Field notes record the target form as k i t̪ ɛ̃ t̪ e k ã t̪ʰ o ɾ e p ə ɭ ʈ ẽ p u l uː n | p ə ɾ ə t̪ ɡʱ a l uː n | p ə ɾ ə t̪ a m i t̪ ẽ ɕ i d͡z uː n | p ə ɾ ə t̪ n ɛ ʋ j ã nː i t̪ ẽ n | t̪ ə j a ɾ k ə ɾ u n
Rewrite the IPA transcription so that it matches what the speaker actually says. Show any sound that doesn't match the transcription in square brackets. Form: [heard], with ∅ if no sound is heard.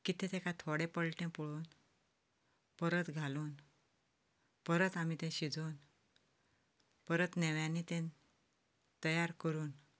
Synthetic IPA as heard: k i t̪ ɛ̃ t̪ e k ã t̪ʰ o [ɽ] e p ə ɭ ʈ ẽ p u [ɭ] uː n | p ə ɾ ə t̪ ɡʱ a l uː n | p ə ɾ ə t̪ a m i t̪ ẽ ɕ i d͡z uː n | p ə ɾ ə t̪ n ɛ ʋ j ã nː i t̪ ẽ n | t̪ ə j a ɾ k ə ɾ [uː] n